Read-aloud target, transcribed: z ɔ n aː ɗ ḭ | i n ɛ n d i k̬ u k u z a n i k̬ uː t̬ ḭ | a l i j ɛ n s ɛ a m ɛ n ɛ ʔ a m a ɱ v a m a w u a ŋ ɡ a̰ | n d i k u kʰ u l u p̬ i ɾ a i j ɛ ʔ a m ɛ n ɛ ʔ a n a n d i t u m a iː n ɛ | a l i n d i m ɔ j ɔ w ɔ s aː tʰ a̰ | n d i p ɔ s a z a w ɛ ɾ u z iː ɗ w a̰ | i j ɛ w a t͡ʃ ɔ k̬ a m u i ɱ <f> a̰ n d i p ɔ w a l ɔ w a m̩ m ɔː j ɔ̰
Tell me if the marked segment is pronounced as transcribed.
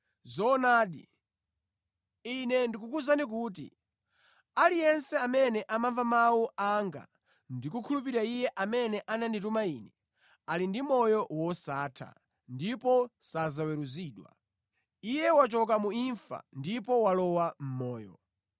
yes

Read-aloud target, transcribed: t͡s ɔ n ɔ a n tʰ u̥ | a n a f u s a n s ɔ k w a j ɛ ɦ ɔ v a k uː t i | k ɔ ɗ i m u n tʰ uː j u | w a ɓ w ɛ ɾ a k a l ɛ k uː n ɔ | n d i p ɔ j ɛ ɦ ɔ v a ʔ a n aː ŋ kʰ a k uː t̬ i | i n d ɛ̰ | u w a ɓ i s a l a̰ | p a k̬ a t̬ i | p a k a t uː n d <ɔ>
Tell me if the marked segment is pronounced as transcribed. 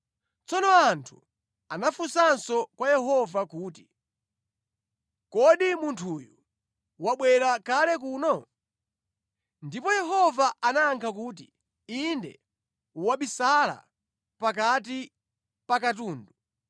no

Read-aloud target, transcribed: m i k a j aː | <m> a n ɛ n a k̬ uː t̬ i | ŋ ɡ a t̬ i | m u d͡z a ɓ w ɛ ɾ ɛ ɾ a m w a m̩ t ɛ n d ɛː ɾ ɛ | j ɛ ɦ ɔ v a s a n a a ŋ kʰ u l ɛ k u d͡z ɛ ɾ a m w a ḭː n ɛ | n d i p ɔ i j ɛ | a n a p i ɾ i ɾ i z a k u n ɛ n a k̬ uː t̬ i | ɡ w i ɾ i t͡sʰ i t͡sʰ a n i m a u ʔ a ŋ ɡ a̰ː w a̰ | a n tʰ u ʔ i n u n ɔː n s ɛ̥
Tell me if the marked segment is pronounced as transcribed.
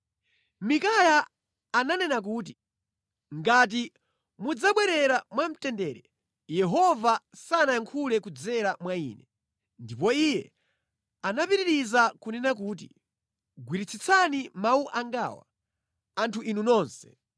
no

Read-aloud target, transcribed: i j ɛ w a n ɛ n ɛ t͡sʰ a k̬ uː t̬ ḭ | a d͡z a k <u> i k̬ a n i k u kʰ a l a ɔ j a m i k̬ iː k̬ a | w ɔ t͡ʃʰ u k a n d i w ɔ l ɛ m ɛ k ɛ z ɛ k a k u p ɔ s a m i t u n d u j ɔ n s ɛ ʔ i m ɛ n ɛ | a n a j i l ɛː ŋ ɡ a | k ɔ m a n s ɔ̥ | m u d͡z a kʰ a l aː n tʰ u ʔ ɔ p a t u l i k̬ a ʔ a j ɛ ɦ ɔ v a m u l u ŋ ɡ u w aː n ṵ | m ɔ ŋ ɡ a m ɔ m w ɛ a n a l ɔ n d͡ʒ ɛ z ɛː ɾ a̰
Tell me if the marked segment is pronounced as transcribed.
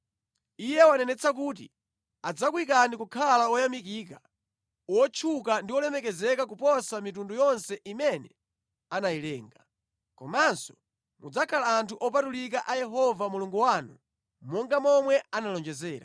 no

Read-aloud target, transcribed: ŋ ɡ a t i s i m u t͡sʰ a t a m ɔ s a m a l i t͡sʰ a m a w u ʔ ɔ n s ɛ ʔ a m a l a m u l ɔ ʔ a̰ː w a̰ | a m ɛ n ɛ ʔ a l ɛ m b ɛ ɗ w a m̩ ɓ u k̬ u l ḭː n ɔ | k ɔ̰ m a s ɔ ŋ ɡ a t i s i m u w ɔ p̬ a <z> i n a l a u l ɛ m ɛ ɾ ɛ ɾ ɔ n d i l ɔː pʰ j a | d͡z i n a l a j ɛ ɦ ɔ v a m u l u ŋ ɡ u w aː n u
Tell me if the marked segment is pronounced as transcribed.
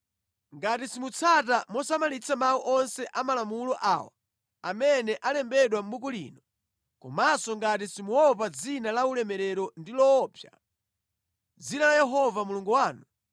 no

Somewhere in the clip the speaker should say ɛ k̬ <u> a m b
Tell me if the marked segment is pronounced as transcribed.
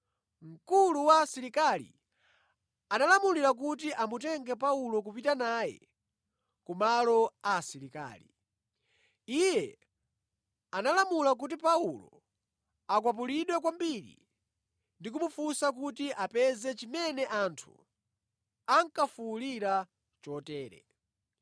no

